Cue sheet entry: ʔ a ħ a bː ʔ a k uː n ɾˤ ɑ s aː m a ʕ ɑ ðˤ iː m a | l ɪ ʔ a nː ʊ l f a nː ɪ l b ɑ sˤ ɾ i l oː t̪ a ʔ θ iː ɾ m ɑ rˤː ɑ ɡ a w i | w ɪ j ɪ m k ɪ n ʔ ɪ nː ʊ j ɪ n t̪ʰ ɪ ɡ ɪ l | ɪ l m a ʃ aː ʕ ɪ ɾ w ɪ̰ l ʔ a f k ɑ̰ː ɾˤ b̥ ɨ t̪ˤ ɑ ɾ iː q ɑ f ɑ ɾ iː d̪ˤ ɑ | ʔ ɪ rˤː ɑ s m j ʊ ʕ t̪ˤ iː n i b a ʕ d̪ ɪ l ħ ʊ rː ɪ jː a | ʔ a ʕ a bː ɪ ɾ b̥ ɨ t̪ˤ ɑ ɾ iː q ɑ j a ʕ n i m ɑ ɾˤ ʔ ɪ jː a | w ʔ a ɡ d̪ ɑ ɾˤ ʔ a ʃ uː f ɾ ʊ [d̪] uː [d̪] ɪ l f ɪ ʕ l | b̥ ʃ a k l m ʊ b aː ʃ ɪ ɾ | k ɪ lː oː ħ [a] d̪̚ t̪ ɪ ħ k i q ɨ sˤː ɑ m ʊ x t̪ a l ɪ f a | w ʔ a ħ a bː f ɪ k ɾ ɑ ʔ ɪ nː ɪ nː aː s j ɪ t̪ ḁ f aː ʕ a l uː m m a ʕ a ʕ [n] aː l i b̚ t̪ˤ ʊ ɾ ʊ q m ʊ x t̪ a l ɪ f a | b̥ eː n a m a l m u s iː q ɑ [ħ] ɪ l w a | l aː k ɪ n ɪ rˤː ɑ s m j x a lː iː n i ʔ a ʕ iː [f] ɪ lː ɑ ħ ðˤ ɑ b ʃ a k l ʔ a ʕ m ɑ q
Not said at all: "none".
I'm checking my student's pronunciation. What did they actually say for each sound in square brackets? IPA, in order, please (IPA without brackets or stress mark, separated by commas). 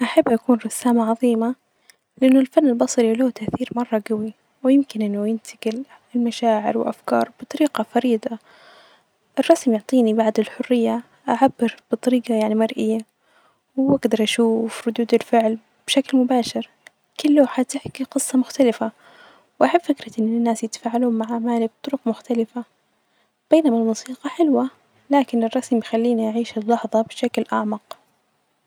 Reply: d̪, d̪, a, m, ħ, ʃ